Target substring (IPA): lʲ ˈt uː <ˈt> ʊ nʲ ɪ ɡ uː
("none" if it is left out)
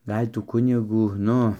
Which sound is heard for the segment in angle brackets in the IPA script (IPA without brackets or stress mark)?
k